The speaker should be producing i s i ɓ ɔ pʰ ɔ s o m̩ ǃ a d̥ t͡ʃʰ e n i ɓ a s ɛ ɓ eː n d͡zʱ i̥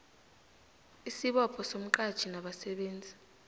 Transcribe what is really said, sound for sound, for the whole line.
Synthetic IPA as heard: i s i ɓ ɔ pʰ ɔ s o m̩ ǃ a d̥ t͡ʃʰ i n a ɓ a s ɛ ɓ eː n d͡zʱ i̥